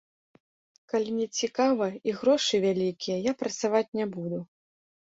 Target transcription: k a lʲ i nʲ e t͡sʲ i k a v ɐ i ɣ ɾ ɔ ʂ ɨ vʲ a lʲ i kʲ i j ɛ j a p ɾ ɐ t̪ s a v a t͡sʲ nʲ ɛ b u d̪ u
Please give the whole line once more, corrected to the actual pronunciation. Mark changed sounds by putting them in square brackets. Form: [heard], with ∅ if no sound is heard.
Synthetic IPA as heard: k a lʲ i nʲ [ɛ] t͡sʲ i k a v ɐ i ɣ ɾ ɔ ʂ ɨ vʲ a lʲ i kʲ i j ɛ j a p ɾ ɐ t̪ s a v a t͡sʲ nʲ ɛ b u d̪ u